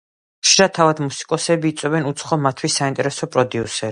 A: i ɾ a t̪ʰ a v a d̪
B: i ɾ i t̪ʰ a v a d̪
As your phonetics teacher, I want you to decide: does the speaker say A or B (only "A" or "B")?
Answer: A